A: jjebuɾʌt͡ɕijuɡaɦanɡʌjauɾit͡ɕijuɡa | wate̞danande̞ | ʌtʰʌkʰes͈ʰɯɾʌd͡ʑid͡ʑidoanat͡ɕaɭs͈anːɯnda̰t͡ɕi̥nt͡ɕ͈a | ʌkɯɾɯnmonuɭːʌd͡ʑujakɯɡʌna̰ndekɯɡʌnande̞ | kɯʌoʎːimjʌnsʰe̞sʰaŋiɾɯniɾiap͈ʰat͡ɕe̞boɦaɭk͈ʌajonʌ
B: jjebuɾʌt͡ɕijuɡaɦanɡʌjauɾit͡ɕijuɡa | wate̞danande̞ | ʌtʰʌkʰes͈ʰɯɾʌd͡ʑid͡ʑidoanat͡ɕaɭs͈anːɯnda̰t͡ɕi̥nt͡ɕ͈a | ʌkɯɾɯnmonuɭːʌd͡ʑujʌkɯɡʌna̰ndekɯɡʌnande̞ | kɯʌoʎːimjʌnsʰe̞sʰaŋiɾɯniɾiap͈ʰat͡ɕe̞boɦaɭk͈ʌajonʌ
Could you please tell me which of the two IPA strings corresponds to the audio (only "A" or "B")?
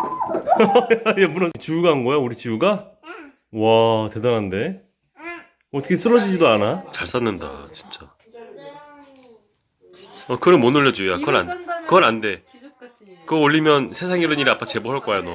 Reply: A